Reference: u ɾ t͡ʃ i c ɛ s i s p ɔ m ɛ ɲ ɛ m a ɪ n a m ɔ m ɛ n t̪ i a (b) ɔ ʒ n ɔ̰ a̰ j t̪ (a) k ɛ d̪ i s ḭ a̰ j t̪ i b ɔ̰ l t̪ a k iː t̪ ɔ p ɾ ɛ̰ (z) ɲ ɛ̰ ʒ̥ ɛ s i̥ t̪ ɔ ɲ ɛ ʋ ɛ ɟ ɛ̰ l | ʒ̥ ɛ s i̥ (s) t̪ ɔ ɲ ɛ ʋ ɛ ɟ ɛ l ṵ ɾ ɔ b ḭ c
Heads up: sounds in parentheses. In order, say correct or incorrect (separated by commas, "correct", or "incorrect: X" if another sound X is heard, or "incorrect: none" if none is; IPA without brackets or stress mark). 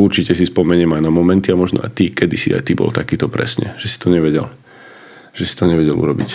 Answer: incorrect: m, incorrect: i, incorrect: s, incorrect: none